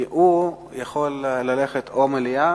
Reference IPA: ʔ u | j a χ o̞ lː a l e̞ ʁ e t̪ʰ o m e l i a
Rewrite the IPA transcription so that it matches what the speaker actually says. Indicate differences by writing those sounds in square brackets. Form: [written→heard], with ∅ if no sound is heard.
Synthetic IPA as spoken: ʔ u | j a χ o̞ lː a l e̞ [ʁ→χ] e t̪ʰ o m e l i a

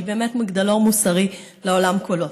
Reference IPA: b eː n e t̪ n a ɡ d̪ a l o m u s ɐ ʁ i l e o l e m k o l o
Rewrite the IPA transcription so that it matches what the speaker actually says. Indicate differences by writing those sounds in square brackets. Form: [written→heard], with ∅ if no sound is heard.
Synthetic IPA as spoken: b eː [n→m] e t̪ [n→m] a ɡ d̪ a l o m u s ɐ ʁ i l e o l [e→a] m k o l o

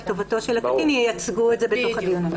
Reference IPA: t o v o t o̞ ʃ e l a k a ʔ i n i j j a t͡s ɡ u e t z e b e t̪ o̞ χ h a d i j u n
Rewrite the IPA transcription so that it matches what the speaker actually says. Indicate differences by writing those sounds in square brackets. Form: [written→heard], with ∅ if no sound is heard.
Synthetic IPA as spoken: t o v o t o̞ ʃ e l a k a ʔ i n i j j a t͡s ɡ u e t z e b e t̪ o̞ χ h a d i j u n

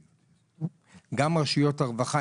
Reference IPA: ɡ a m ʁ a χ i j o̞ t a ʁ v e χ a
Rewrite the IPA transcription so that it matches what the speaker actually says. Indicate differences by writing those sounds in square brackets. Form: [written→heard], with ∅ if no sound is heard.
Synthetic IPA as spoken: ɡ a m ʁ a [χ→ʃ] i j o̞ t a ʁ v [e→a] χ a

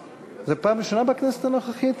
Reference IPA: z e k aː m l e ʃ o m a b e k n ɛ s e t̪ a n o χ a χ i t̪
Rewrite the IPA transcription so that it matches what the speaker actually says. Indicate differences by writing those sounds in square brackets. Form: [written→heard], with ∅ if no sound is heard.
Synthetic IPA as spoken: z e [k→p] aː m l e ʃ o [m→n] a b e k n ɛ s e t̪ a n o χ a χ i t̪

